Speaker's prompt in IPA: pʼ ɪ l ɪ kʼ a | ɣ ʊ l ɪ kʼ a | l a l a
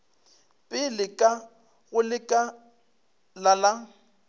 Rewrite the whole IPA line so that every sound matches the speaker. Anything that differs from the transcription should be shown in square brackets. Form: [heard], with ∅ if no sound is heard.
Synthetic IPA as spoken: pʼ ɪ l ɪ kʼ a | ɣ ʊ l ɪ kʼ a | l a l a